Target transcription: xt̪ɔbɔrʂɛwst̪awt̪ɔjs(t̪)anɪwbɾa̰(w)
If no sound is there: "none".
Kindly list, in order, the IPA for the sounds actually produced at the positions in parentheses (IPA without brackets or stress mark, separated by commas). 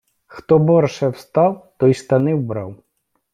t̪, w